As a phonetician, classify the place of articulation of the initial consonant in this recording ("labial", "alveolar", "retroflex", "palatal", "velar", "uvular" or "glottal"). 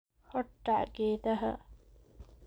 glottal